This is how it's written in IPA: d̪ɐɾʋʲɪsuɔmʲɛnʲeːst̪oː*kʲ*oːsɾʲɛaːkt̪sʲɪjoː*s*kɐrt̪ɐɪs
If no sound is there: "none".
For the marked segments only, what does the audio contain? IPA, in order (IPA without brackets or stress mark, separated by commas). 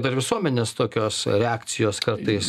kʲ, s